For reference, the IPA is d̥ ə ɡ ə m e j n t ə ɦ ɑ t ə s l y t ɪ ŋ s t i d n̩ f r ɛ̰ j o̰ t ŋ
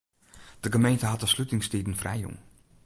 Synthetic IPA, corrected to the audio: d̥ ə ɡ ə m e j n t ə ɦ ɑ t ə s l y t ɪ ŋ s t i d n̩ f r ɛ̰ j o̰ ŋ